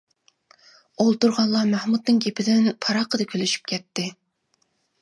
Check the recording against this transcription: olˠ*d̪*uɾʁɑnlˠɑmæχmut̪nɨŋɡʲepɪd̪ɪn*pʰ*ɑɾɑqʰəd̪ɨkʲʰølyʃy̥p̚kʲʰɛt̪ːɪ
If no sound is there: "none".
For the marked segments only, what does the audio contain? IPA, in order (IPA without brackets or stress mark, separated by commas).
t̪, pʰ